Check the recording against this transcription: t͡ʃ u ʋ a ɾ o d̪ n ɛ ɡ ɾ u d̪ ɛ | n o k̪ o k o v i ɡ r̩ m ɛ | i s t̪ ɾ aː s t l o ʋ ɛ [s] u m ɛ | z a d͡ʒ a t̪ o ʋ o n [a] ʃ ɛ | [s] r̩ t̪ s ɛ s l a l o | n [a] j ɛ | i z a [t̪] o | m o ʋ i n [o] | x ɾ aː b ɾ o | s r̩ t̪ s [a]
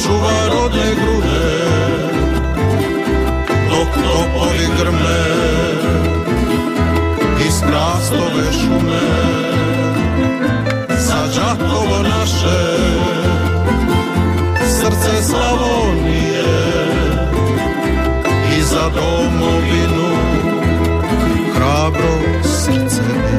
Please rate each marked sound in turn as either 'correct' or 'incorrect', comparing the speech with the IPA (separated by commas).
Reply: incorrect, correct, correct, incorrect, incorrect, incorrect, incorrect